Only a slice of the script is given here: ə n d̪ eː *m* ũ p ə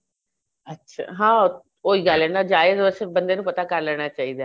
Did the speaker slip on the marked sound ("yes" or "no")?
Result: yes